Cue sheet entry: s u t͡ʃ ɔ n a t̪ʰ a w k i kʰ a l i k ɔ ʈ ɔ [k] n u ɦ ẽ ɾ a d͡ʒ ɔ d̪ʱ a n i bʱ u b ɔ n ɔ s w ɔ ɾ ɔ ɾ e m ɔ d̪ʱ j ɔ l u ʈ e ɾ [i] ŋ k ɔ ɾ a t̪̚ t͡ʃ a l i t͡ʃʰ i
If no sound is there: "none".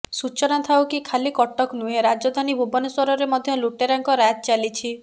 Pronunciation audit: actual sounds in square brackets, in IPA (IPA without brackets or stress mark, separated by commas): k, a